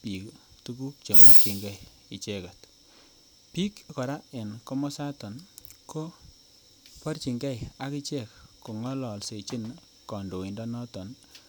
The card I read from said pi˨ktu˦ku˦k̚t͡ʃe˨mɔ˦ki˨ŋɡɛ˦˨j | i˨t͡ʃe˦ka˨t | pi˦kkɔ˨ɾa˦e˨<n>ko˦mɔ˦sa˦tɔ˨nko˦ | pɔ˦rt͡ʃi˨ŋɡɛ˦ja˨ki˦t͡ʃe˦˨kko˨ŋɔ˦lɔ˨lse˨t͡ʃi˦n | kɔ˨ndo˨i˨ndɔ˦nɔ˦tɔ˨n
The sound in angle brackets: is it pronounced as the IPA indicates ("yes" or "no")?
yes